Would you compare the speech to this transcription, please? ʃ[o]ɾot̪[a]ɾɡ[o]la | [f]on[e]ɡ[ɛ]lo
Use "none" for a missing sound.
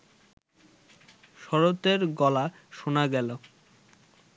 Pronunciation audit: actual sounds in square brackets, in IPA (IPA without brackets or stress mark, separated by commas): ɔ, e, ɔ, ʃ, a, ɛ